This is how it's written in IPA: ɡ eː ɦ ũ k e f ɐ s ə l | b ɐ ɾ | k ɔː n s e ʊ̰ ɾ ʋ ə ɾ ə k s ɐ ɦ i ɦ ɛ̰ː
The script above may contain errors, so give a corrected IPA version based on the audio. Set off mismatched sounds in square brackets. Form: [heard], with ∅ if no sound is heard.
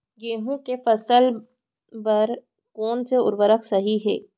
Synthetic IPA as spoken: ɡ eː ɦ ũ k e f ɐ s ə l | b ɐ ɾ | k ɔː n s e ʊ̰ ɾ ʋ ə ɾ ə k s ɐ ɦ i ɦ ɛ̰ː